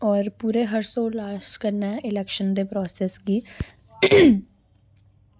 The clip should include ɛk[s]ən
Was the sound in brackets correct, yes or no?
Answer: no